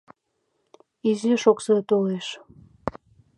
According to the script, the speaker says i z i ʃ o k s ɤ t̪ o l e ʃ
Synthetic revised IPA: i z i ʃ o k s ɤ t̪ o l e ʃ